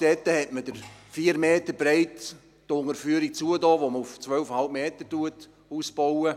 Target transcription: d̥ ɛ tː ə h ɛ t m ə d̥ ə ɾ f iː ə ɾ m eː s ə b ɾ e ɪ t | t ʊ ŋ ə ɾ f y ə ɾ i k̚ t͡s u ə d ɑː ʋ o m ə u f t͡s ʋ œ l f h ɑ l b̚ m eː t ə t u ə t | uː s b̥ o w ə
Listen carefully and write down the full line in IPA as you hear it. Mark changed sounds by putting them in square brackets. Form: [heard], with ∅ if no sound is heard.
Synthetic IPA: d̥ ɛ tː ə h ɛ t m ə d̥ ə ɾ f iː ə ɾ m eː [t] ə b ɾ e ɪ t | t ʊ ŋ ə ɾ f y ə ɾ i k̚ t͡s u ə d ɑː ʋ o m ə u f t͡s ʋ œ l f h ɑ l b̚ m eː t ə t u ə t | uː s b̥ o w ə